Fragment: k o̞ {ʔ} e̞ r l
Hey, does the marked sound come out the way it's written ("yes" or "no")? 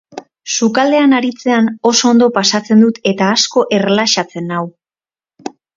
yes